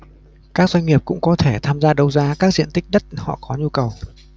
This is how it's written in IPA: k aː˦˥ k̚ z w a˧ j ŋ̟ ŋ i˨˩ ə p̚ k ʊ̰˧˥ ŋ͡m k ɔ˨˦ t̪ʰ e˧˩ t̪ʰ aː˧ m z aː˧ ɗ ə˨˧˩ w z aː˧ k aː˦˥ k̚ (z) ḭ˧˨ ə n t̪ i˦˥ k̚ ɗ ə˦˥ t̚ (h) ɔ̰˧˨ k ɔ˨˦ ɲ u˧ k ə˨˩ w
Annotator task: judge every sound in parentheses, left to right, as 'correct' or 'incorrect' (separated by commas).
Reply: correct, correct